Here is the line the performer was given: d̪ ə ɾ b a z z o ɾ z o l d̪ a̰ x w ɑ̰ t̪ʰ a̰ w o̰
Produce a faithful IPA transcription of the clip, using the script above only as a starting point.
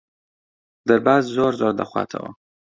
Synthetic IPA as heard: d̪ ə ɾ b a z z o ɾ z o ɾ d̪ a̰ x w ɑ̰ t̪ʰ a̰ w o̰